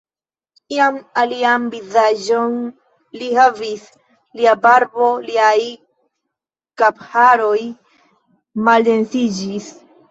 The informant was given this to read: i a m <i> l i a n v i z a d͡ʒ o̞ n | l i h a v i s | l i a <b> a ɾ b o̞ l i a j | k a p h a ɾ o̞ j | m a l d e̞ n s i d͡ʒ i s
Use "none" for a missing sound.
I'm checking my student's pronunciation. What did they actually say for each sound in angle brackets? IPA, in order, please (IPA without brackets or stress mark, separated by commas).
a, b